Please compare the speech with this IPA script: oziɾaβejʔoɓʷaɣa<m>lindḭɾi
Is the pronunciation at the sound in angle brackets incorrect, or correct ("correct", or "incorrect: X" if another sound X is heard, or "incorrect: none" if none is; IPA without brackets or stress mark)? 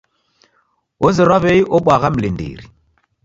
correct